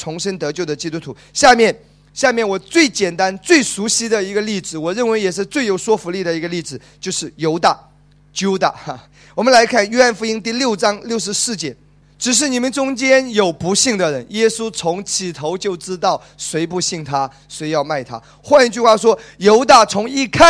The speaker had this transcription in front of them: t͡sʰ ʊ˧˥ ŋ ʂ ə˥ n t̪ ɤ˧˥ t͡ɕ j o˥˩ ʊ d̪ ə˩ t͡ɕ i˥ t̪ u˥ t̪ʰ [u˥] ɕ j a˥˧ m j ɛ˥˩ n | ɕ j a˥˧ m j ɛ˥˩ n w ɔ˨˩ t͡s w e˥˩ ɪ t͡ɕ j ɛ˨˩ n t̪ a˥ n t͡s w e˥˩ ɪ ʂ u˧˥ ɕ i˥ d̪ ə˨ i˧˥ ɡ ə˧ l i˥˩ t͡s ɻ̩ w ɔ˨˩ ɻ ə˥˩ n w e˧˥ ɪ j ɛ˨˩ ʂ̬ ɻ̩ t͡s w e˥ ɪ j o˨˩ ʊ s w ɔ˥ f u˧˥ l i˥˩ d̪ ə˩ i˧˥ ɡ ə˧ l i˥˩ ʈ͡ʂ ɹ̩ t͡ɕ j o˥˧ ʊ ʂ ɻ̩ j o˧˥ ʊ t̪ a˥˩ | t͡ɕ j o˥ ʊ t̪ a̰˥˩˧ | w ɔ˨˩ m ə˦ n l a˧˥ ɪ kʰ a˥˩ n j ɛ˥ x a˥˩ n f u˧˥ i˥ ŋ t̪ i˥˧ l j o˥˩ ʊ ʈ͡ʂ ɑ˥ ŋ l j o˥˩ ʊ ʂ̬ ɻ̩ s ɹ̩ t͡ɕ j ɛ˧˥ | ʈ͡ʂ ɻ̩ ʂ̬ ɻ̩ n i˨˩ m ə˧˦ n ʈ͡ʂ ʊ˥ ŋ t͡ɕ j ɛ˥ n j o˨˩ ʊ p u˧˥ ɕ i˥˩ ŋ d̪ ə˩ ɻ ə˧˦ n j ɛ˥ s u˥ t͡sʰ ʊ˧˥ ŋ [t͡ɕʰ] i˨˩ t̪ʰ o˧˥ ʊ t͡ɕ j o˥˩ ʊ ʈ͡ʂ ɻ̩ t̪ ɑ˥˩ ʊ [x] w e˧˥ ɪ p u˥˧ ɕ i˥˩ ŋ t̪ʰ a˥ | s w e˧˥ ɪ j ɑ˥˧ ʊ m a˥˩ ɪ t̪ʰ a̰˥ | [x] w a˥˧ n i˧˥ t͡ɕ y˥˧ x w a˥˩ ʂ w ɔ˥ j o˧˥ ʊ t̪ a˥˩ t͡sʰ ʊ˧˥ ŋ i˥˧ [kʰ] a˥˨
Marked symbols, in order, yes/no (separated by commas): no, yes, no, yes, yes